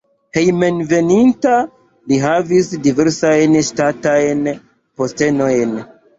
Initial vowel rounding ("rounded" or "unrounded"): unrounded